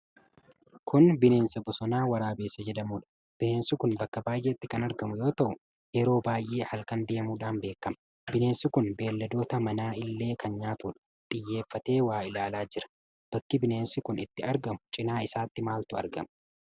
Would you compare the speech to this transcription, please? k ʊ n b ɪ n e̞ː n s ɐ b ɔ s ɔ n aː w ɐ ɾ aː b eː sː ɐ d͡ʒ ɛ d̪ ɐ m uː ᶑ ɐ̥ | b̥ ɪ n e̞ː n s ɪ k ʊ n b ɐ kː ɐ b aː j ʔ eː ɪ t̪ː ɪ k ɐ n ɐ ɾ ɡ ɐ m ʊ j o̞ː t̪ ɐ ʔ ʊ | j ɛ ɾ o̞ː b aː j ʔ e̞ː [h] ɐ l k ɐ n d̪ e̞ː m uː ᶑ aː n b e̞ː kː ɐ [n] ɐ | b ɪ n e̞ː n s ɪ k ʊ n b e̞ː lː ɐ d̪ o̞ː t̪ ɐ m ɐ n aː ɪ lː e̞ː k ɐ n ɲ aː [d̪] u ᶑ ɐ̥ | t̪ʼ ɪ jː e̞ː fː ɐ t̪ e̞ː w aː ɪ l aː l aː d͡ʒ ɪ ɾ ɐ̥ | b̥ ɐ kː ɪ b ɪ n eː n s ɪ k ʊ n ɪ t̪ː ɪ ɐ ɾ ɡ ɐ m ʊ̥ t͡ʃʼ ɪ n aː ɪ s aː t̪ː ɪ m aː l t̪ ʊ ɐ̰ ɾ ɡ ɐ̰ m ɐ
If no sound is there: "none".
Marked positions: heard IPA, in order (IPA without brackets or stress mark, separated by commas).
h, m, t̪